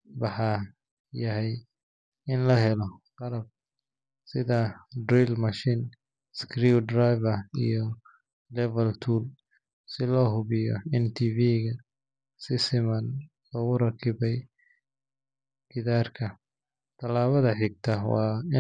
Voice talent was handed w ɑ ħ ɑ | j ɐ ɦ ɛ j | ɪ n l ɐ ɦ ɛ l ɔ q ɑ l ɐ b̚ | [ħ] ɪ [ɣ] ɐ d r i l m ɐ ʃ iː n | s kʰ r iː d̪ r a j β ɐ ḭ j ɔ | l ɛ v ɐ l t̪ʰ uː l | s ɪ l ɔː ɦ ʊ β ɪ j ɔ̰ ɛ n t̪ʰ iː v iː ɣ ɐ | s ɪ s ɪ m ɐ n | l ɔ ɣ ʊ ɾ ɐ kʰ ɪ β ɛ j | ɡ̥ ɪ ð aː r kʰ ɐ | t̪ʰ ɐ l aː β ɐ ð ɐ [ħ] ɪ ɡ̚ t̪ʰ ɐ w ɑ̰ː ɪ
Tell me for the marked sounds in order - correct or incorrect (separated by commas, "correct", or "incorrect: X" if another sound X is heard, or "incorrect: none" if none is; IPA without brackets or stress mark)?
incorrect: s, incorrect: ð, correct